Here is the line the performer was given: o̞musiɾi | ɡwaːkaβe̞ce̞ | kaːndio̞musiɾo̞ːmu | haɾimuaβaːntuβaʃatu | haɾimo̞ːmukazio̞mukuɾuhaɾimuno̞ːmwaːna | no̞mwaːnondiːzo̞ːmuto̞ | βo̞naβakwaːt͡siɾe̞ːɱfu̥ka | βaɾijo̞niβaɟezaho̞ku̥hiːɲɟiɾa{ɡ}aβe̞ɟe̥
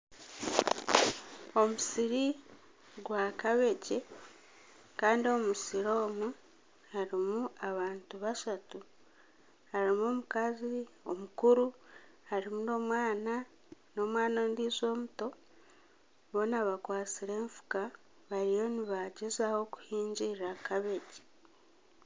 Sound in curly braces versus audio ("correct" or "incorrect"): incorrect